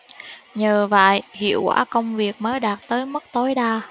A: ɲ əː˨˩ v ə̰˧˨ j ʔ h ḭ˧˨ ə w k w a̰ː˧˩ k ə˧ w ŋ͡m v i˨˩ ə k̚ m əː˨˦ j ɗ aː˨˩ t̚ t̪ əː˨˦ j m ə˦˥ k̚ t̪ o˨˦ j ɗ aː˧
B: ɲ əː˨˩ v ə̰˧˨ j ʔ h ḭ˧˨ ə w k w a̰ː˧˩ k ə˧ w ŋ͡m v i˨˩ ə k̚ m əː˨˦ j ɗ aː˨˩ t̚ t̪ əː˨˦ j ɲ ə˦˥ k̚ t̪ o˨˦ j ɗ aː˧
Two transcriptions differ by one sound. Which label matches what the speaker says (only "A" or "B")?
A